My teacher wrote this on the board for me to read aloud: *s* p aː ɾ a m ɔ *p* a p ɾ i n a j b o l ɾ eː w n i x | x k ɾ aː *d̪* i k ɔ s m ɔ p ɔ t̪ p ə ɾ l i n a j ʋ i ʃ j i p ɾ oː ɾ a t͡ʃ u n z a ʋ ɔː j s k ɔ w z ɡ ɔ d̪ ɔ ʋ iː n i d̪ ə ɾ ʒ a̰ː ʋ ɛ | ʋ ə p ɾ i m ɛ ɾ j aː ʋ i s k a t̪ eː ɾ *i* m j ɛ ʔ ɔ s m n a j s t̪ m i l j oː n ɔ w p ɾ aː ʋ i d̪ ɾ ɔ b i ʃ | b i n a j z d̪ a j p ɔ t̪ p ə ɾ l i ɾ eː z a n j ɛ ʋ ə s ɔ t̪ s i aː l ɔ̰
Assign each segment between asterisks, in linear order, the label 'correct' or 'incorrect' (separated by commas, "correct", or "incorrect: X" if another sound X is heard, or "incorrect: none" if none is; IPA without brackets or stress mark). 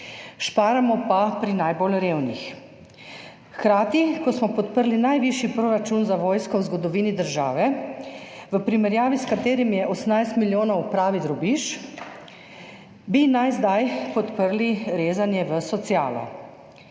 incorrect: ʃ, correct, incorrect: t̪, correct